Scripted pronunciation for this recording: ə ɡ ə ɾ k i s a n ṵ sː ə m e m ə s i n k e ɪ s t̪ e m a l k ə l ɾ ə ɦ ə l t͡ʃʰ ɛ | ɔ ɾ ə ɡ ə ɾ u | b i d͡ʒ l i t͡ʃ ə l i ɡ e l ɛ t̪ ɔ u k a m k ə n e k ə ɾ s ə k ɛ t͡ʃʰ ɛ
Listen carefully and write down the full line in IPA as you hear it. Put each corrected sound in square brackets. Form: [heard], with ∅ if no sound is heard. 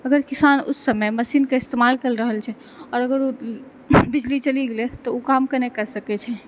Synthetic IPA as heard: ə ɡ ə ɾ k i s a n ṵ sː ə m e m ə s i n k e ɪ s t̪ e m a l k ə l ɾ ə ɦ ə l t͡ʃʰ ɛ | ɔ ɾ ə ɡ ə ɾ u | b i d͡ʒ l i t͡ʃ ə l i ɡ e l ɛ t̪ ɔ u k a m k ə n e k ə ɾ s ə k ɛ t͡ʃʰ ɛ

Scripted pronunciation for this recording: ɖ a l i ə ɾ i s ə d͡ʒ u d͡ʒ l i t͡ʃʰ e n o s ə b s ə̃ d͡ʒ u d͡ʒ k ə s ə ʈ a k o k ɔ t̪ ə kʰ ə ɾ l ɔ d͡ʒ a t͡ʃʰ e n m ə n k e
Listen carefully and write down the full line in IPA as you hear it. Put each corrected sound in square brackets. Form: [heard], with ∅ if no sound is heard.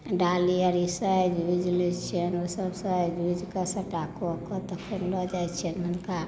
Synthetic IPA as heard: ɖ a l i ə ɾ i s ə d͡ʒ u d͡ʒ l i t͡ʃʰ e n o s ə b s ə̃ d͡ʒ u d͡ʒ k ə s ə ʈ a k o k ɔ t̪ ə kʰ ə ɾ l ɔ d͡ʒ a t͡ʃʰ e n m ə n k [a]

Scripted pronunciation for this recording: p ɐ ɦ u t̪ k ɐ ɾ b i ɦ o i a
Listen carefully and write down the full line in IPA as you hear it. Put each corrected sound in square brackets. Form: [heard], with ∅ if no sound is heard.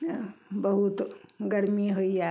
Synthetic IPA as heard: [b] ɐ ɦ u t̪ [ɡ] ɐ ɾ [m] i ɦ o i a

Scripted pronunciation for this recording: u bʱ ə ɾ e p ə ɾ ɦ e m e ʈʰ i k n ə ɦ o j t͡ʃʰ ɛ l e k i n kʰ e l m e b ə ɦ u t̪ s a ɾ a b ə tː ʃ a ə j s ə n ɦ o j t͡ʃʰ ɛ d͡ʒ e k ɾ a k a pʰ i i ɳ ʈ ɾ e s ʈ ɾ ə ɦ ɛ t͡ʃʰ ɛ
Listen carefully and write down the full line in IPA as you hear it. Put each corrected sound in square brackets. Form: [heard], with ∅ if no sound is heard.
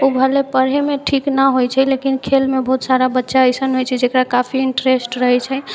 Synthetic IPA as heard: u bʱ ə [l] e p ə ɾ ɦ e m e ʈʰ i k n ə ɦ o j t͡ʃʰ ɛ l e k i n kʰ e l m e b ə ɦ u t̪ s a ɾ a b ə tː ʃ a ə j s ə n ɦ o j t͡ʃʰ ɛ d͡ʒ e k ɾ a k a pʰ i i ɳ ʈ ɾ e s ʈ ɾ ə ɦ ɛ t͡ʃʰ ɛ

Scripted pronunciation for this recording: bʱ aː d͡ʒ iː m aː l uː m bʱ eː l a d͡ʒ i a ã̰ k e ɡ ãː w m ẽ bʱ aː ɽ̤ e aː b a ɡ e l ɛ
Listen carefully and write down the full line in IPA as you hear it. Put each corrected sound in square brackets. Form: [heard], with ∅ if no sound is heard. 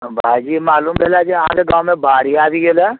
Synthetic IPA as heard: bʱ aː d͡ʒ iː m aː l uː m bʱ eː l a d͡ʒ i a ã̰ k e ɡ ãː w m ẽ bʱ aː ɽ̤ [i] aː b [i] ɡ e l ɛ

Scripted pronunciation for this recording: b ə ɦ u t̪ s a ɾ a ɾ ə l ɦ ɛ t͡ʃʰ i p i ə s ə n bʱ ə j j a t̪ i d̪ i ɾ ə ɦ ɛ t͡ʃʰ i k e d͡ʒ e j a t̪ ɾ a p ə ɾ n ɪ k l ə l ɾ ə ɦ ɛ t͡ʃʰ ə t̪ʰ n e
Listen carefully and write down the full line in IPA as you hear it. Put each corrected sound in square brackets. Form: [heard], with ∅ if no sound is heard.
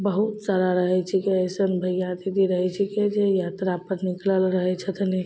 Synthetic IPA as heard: b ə ɦ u t̪ s a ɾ a ɾ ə [∅] ɦ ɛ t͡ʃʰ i [k] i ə s ə n bʱ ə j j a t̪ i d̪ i ɾ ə ɦ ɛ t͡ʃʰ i k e d͡ʒ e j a t̪ ɾ a p ə ɾ n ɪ k l ə l ɾ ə ɦ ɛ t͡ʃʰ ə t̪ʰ n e

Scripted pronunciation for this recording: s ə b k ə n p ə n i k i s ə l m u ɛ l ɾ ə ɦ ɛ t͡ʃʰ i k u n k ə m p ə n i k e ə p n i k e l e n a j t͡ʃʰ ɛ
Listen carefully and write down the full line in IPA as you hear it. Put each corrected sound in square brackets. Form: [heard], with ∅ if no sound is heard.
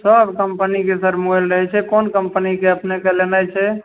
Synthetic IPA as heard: s ə b k ə [m] p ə n i k [e] s ə [ɾ] m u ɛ l ɾ ə ɦ ɛ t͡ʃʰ [ɛ] k [o] n k ə m p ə n i k e ə p n [e] k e l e n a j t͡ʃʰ ɛ

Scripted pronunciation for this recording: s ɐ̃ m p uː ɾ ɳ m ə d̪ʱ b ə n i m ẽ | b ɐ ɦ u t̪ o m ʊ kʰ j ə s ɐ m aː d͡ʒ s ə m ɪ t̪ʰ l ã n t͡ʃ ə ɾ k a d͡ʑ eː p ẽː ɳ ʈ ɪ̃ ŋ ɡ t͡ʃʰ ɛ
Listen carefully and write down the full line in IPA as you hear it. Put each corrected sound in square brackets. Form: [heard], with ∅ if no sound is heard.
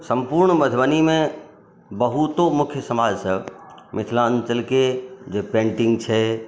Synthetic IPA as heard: s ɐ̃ m p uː ɾ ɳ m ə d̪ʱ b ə n i m ẽ | b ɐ ɦ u t̪ o m ʊ kʰ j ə s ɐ m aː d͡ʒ s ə m ɪ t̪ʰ l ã n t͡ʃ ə [l] k [e] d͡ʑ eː p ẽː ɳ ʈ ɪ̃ ŋ ɡ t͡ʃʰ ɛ

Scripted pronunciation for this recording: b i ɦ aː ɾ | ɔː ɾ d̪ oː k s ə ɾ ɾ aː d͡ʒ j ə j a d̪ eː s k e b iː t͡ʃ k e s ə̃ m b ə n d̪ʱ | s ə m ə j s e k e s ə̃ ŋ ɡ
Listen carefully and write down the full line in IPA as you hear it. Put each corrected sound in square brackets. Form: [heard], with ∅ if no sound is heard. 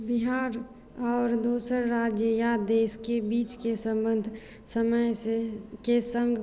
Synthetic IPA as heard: b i ɦ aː ɾ | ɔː ɾ d̪ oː [∅] s ə ɾ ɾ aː d͡ʒ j ə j a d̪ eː s k e b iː t͡ʃ k e s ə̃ m b ə n d̪ʱ | s ə m ə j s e k e s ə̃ ŋ ɡ

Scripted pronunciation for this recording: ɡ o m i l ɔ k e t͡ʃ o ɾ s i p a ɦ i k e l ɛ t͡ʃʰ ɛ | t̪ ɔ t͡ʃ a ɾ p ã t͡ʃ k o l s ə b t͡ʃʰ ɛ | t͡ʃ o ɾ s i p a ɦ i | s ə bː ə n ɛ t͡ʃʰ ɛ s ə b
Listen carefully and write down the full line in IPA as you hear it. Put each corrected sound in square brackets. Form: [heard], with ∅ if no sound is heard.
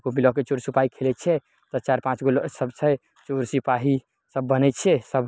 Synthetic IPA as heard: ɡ o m i l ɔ k e t͡ʃ o ɾ s i p a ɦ i [kʰ] e l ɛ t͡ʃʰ ɛ | t̪ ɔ t͡ʃ a ɾ p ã t͡ʃ [ɡ] o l s ə b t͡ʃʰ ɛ | t͡ʃ o ɾ s i p a ɦ i | s ə bː ə n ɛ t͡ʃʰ ɛ s ə b

